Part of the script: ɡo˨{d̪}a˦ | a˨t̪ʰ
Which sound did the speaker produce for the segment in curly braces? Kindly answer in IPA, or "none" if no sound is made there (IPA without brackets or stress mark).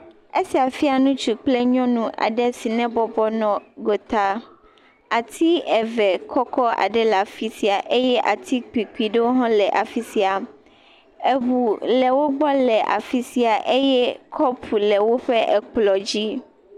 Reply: t̪